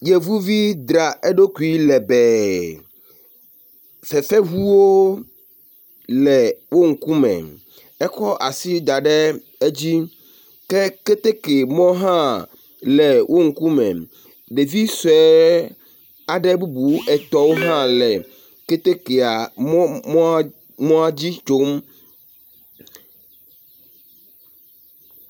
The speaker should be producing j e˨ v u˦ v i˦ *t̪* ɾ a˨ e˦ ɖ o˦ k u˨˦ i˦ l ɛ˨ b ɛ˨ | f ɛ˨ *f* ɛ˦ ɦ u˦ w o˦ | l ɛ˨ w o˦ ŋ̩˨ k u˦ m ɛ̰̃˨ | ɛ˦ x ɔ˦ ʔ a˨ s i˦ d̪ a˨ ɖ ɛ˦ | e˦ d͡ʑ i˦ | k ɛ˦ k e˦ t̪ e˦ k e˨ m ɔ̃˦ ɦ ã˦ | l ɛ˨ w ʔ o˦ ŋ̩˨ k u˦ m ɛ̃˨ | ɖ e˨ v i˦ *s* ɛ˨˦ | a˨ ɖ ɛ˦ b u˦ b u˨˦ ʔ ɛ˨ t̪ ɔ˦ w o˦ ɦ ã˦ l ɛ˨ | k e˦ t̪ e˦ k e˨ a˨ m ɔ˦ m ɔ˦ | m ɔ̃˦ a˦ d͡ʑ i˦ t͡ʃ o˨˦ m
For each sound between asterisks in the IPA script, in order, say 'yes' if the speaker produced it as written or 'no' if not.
no, yes, yes

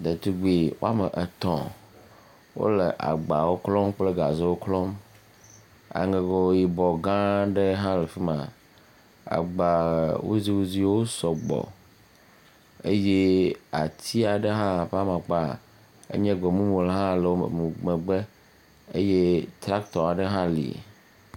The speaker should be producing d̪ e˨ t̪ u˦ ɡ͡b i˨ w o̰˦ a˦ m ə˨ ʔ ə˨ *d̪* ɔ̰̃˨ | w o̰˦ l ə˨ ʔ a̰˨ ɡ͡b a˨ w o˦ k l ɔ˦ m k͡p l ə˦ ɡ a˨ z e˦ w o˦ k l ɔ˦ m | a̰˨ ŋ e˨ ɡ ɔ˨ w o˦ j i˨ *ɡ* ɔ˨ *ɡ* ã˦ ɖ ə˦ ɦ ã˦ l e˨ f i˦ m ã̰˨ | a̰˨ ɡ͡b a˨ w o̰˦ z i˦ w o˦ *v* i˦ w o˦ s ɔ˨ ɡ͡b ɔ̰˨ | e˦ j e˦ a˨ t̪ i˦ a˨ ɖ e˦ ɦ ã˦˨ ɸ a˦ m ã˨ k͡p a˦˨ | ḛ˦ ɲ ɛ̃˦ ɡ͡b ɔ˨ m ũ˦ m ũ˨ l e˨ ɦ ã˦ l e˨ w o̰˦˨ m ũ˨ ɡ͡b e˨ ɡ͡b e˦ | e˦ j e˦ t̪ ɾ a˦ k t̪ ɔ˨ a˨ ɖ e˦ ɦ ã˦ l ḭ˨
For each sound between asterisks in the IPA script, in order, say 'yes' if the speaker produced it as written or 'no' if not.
no, no, yes, no

